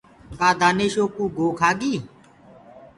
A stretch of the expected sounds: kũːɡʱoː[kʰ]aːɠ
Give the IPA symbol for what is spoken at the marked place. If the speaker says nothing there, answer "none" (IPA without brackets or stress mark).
kʰ